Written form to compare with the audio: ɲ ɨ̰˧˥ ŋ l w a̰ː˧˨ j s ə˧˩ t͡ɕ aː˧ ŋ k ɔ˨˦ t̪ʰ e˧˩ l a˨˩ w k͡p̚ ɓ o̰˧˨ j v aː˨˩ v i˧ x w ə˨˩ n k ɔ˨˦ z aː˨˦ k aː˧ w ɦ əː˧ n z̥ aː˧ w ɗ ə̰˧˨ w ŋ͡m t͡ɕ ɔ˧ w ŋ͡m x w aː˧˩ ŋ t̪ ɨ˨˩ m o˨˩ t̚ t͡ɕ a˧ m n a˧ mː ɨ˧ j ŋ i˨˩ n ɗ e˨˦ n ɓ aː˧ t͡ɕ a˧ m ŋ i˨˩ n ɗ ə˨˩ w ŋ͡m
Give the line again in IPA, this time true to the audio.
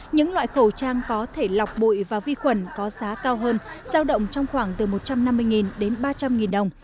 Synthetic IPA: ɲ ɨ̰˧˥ ŋ l w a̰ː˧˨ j x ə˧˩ t͡ɕ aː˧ ŋ k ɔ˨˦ t̪ʰ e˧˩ l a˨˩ w k͡p̚ ɓ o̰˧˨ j v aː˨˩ v i˧ x w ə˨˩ n k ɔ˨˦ z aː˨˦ k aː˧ w ɦ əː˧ n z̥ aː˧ w ɗ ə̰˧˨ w ŋ͡m t͡ɕ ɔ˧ w ŋ͡m x w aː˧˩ ŋ t̪ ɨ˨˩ m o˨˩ t̚ t͡ɕ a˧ m n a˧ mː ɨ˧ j ŋ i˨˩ n ɗ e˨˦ n ɓ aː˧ t͡ɕ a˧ m ŋ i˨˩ n ɗ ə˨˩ w ŋ͡m